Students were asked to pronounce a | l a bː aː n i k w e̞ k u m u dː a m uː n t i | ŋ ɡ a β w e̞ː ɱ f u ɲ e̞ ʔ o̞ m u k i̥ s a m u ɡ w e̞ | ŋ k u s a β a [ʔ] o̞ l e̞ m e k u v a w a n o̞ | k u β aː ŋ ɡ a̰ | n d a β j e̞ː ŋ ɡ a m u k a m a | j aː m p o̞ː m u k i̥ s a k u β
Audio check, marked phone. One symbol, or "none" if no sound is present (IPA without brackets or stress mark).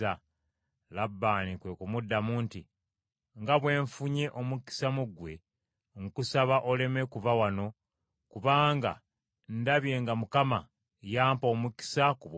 ʔ